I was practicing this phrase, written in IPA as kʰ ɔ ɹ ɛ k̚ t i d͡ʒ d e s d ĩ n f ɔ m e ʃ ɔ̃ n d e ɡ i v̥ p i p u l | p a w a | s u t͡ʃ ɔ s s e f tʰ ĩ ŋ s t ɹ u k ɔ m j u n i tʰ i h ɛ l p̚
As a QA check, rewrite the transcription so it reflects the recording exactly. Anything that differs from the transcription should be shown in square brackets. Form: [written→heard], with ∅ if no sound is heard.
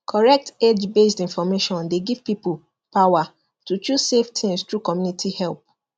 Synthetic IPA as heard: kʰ ɔ ɹ ɛ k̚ t [i→e] d͡ʒ [d→b] e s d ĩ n f ɔ m e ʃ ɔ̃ n d e ɡ i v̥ p i p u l | p a w a | [s→t] u t͡ʃ [ɔ→u] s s e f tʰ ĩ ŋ s t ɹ u k ɔ m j u n i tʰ i h ɛ l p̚